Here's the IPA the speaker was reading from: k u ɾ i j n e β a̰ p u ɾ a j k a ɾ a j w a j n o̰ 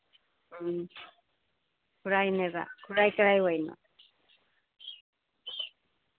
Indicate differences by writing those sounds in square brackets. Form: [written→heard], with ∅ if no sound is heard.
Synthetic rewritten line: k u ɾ [i→a] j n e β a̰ [p→k] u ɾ a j k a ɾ a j w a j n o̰